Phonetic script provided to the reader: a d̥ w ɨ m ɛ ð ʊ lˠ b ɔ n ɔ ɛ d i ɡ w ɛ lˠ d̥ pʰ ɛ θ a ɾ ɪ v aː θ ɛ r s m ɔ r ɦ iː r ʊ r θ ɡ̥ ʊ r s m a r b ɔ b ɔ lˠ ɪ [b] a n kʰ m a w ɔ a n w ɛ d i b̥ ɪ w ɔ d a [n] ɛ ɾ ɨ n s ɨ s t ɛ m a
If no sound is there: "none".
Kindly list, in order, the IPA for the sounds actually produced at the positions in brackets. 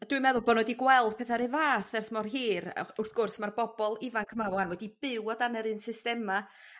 v, n

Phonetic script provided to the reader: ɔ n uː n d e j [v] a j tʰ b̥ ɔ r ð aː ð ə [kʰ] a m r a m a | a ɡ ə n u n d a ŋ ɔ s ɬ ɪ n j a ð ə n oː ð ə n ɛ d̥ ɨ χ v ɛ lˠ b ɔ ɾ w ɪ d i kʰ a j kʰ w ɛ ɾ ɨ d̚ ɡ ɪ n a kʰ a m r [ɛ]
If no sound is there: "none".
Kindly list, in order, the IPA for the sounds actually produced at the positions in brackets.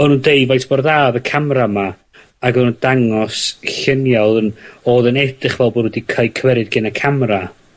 v, kʰ, a

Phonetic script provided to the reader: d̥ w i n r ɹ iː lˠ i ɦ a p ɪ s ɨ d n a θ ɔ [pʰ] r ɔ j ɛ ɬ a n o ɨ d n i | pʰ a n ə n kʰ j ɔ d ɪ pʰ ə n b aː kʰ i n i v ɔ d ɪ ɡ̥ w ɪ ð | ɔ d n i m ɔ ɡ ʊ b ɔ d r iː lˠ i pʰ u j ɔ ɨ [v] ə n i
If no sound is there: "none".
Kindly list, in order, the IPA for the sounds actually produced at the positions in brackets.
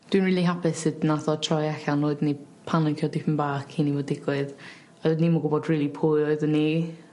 tʰ, ð

